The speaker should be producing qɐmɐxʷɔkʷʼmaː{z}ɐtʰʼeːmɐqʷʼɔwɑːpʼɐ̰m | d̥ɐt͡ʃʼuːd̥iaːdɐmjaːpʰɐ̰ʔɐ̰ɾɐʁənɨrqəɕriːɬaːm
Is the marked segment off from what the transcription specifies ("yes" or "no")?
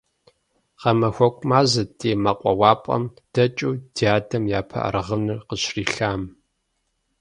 no